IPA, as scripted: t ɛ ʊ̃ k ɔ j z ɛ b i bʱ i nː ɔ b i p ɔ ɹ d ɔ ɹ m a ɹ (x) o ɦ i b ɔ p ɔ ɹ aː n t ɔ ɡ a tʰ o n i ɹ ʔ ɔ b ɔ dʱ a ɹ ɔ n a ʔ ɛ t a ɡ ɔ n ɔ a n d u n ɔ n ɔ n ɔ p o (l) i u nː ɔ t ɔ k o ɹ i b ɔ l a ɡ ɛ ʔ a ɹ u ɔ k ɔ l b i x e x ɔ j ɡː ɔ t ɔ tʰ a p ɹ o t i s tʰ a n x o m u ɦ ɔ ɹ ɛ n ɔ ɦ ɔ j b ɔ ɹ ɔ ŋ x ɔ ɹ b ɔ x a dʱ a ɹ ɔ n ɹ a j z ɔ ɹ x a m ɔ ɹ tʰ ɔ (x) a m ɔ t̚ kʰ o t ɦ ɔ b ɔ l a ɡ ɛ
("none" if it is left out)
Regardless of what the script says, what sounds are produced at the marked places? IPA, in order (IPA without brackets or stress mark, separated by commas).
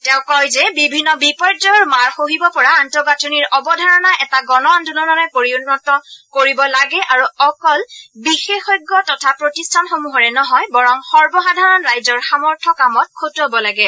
x, ɹ, k